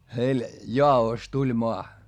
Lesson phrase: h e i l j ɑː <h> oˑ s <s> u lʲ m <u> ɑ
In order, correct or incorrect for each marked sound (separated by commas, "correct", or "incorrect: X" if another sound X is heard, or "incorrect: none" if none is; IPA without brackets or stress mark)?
incorrect: none, incorrect: t, incorrect: o